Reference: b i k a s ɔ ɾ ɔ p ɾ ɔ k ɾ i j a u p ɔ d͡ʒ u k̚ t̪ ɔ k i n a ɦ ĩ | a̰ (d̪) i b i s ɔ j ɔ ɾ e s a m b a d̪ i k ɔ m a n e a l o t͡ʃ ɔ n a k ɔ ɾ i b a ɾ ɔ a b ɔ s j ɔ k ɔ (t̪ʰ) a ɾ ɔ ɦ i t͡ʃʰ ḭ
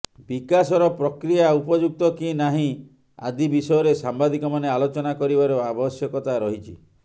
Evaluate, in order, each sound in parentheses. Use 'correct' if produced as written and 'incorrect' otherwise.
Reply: correct, incorrect: t̪

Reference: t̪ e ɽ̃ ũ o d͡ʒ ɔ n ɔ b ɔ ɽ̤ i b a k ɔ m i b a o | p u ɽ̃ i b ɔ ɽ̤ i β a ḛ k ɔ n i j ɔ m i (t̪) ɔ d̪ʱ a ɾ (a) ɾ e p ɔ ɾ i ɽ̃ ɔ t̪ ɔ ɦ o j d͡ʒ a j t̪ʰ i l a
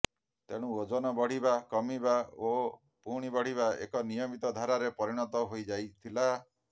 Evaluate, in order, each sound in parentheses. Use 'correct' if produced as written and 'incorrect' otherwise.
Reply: correct, correct

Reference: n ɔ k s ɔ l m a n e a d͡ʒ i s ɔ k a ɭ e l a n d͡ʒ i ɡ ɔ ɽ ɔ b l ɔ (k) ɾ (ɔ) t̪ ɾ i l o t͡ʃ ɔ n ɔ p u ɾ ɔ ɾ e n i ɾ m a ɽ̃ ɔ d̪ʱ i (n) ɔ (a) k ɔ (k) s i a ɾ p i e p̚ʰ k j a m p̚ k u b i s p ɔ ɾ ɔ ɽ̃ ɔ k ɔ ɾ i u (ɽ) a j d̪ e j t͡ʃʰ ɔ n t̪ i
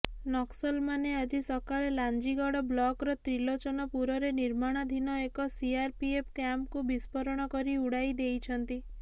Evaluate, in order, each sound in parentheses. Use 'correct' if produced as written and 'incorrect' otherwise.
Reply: correct, correct, correct, incorrect: e, incorrect: none, correct

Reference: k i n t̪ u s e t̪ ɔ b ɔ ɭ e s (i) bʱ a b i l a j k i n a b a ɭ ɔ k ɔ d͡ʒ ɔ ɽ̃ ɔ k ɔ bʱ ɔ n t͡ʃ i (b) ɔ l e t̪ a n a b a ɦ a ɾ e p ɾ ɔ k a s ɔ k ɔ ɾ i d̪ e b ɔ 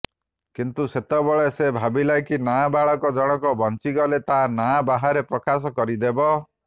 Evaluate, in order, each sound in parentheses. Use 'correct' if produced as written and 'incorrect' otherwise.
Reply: incorrect: e, incorrect: ɡ

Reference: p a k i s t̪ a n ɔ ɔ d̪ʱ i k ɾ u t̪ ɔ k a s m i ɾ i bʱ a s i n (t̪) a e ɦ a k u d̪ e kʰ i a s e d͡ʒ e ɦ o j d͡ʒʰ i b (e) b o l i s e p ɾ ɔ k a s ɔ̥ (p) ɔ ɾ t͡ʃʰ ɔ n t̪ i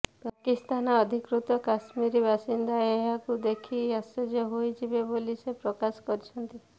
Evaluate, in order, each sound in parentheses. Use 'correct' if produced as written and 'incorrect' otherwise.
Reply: incorrect: d̪, correct, incorrect: k

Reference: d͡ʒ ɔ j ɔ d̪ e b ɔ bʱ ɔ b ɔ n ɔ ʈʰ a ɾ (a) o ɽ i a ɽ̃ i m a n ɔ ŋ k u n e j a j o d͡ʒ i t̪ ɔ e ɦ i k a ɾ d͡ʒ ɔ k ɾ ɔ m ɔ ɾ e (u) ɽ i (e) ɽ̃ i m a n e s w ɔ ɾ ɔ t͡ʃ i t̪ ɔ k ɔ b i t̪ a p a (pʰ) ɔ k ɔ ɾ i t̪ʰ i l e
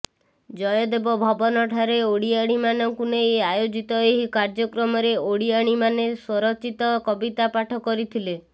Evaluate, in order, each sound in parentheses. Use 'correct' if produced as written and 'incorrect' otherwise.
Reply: incorrect: e, incorrect: o, incorrect: a, incorrect: ʈʰ

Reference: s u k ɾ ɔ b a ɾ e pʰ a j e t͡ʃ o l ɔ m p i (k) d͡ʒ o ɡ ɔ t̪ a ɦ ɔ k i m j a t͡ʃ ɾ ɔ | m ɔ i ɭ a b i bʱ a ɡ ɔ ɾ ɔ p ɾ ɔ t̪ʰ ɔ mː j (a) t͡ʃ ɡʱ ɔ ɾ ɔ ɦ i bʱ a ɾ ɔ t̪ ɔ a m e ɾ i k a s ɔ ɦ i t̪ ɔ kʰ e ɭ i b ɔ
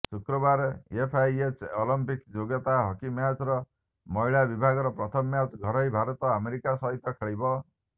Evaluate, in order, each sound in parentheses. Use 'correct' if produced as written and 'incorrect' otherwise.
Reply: correct, correct

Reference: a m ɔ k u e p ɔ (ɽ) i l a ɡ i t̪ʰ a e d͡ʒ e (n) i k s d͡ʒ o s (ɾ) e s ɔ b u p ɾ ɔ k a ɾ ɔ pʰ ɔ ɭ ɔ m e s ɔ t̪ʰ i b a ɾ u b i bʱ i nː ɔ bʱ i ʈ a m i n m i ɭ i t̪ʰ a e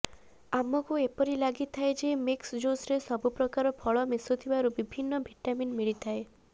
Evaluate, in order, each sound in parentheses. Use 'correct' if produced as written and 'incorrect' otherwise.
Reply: incorrect: ɾ, incorrect: m, correct

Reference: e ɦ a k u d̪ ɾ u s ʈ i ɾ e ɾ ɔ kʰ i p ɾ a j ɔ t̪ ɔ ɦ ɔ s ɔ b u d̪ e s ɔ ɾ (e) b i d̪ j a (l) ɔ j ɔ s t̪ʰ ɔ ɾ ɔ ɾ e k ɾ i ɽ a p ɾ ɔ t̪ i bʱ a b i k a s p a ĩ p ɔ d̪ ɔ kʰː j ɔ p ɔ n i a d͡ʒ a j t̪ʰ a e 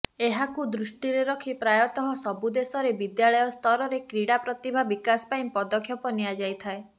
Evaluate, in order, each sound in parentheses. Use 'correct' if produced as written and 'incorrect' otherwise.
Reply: correct, incorrect: ɭ

